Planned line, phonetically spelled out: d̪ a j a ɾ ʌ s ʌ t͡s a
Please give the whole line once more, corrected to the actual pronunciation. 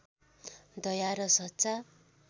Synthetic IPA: d̪ ʌ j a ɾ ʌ s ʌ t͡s a